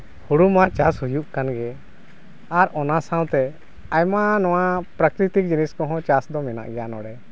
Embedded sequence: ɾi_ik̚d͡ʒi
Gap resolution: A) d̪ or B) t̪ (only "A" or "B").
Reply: B